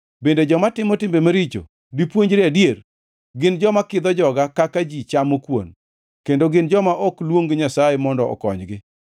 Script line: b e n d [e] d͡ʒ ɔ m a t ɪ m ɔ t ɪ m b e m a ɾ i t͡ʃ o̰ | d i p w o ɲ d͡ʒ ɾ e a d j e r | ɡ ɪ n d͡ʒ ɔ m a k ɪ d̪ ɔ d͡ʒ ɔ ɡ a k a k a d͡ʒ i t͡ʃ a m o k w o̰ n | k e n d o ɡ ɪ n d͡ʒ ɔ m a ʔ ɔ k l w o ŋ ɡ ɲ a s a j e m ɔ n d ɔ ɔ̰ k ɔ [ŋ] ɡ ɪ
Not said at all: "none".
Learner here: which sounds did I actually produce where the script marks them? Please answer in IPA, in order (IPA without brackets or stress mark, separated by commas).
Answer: e, ɲ